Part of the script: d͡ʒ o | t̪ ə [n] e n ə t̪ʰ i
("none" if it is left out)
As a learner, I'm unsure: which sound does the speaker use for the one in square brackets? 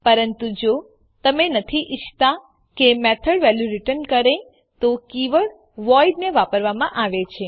m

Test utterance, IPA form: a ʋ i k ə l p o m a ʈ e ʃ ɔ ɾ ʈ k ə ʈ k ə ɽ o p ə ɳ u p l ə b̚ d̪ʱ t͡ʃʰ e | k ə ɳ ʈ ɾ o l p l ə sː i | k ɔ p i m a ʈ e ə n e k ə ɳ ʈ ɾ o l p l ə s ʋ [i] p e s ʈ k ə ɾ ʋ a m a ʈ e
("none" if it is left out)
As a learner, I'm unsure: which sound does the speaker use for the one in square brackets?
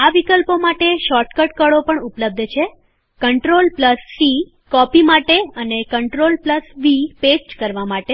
i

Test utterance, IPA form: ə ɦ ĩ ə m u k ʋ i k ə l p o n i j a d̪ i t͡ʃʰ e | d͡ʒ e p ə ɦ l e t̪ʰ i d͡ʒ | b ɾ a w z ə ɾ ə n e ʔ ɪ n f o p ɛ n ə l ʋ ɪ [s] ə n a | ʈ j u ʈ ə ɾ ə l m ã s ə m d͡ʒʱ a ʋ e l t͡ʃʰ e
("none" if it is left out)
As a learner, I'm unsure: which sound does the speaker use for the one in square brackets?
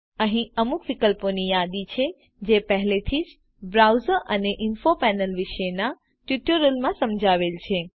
ʃ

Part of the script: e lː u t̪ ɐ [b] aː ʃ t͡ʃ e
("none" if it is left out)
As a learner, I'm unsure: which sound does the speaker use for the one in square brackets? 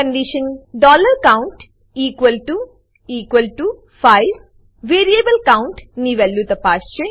p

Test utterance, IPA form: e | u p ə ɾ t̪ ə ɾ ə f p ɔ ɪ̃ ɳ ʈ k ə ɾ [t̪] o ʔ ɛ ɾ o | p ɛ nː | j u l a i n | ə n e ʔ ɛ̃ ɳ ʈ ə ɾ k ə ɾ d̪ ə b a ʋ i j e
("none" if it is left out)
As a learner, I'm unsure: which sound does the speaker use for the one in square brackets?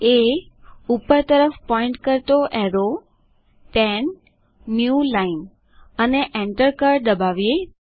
t̪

